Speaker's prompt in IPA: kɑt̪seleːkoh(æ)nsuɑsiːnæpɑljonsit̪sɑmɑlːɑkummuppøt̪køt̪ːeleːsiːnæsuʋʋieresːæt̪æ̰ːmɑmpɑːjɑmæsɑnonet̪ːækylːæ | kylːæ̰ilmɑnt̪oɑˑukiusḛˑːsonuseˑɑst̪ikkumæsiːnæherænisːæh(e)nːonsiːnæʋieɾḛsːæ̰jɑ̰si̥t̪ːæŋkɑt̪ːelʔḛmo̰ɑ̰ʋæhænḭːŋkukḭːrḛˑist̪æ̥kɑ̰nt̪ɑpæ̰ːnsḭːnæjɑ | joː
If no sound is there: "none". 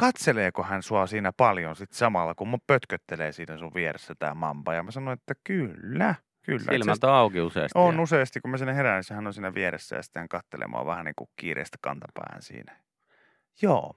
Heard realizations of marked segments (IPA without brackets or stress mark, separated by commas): æ, æ